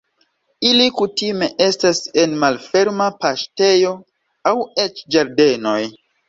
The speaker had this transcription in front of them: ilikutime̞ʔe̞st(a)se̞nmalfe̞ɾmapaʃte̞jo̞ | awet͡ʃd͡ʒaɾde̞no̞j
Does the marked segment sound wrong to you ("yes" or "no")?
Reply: no